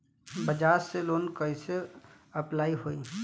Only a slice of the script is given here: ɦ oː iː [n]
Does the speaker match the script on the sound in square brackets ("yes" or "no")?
no